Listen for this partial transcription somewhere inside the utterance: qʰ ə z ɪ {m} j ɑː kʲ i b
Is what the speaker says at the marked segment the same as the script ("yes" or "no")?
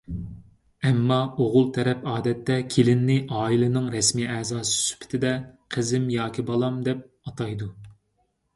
yes